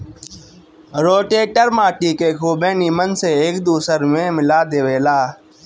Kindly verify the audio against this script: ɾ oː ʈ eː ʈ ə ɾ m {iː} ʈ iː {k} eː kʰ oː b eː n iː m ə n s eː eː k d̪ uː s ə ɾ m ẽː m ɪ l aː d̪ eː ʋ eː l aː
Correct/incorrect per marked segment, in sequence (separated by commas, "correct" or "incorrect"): incorrect, correct